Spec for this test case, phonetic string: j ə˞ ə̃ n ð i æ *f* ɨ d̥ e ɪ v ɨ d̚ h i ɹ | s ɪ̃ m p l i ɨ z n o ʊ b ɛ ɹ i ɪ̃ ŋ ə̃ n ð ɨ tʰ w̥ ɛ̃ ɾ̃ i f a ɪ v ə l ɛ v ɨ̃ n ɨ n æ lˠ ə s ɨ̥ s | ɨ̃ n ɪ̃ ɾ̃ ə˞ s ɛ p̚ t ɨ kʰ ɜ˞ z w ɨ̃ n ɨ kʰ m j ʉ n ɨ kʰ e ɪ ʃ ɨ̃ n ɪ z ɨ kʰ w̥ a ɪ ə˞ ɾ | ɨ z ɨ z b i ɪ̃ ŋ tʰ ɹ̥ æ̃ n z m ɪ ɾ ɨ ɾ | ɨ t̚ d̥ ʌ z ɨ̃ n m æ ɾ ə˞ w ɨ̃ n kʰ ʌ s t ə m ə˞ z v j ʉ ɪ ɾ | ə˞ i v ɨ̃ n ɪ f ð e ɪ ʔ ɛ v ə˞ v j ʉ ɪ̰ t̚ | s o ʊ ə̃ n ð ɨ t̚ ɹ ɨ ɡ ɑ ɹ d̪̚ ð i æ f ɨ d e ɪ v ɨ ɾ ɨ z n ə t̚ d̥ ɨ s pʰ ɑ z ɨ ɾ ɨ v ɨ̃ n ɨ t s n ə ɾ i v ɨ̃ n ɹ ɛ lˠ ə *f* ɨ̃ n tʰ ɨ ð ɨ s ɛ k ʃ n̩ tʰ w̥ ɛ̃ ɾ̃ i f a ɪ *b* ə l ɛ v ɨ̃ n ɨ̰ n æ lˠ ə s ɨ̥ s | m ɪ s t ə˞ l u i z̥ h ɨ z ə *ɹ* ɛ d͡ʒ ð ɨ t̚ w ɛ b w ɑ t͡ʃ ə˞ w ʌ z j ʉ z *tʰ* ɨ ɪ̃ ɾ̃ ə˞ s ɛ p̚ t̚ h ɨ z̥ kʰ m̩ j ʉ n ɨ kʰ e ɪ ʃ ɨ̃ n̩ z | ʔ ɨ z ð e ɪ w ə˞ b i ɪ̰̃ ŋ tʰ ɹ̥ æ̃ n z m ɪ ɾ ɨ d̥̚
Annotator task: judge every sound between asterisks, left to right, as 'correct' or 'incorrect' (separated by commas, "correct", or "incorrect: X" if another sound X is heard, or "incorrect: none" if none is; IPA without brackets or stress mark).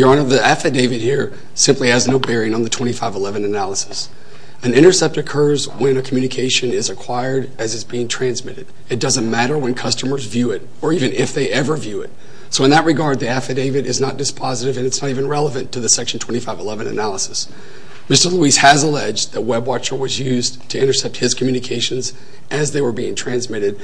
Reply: correct, incorrect: v, incorrect: v, incorrect: l, correct